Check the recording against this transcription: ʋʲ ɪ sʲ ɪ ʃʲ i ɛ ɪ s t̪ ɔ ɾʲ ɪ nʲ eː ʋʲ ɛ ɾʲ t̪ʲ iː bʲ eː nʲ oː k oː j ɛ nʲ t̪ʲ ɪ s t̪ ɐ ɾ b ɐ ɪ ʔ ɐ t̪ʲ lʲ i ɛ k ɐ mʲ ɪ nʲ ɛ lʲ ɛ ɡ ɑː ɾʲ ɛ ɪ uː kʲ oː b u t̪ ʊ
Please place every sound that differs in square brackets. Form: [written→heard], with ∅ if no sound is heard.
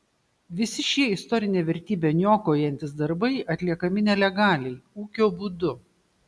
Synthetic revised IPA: ʋʲ ɪ sʲ ɪ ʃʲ i ɛ ɪ s t̪ ɔ ɾʲ ɪ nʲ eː ʋʲ ɛ ɾʲ t̪ʲ iː bʲ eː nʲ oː k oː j ɛ nʲ t̪ʲ ɪ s [t̪→d̪] ɐ ɾ b ɐ ɪ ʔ ɐ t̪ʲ lʲ i ɛ k ɐ mʲ ɪ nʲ ɛ lʲ ɛ ɡ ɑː [ɾʲ→lʲ] ɛ ɪ uː kʲ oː b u [t̪→d̪] ʊ